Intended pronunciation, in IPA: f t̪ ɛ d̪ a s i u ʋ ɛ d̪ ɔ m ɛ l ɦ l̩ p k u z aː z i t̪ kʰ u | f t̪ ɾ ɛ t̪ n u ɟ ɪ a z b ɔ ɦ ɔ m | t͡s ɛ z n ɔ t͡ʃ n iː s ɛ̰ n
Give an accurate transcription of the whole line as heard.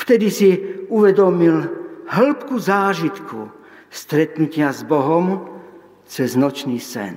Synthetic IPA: f t̪ ɛ d̪ i s i u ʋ ɛ d̪ ɔ m i l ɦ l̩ p k u z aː ʒ i t̪ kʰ u | s t̪ ɾ ɛ t̪ n u c ɪ a z b ɔ ɦ ɔ m | t͡s ɛ z n ɔ t͡ʃ n iː s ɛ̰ n